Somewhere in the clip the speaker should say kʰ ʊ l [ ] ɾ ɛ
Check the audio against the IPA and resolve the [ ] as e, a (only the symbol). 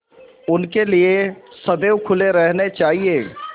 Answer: e